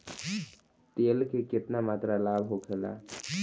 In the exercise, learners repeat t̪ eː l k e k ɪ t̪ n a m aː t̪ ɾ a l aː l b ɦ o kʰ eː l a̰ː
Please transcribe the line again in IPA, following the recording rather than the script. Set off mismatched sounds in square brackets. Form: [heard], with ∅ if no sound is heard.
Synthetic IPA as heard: t̪ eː l k e k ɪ t̪ n a m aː t̪ ɾ a l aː [∅] b ɦ o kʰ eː l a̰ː